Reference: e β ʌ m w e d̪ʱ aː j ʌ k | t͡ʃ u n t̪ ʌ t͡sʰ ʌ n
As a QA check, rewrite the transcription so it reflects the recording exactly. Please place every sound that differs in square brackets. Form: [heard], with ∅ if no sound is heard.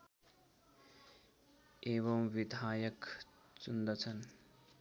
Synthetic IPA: e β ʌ m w [i] d̪ʱ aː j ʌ k | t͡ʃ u n [d̪] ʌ t͡sʰ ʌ n